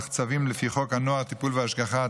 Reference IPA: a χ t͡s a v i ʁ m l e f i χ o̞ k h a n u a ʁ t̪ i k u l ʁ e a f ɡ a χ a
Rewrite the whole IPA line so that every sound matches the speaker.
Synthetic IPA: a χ t͡s a v i m l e f i χ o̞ k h a n o a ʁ t̪ i p u l v e a ʃ ɡ a χ a